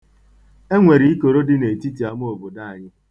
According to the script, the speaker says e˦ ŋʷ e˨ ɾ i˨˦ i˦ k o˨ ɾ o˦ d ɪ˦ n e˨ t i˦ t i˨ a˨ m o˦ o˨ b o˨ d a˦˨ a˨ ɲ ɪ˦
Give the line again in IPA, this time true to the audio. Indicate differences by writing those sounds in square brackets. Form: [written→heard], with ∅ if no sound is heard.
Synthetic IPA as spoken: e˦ ŋʷ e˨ ɾ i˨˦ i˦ k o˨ ɾ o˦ d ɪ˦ n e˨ t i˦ t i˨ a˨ m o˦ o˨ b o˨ d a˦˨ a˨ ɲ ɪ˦